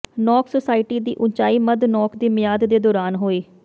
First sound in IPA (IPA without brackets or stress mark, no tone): n